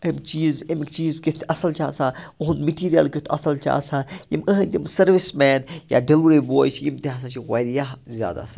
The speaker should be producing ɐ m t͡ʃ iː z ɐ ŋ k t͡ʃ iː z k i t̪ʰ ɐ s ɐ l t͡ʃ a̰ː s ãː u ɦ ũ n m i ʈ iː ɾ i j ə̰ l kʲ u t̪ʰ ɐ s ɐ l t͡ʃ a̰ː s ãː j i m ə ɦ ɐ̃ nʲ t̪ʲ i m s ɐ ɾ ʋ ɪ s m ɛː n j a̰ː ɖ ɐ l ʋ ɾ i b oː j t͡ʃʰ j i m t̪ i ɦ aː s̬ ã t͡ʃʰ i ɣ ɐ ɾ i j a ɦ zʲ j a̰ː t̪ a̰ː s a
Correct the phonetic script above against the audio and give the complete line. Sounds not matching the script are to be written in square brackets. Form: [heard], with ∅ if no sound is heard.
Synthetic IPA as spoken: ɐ m t͡ʃ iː z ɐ [m] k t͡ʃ iː z k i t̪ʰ ɐ s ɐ l t͡ʃ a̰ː s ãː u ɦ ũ n m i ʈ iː ɾ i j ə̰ l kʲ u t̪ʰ ɐ s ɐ l t͡ʃ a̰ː s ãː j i m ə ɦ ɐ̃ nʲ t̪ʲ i m s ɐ ɾ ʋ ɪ s m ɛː n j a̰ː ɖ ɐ l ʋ ɾ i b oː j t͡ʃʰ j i m t̪ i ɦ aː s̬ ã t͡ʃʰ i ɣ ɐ ɾ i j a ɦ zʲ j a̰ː [d̪] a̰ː s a